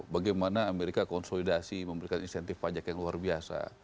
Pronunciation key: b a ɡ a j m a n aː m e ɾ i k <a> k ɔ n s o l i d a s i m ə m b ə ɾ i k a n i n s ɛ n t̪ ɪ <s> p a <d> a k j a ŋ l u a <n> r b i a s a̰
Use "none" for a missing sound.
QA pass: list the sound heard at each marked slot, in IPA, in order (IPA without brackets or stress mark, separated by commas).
a, f, d͡ʒ, none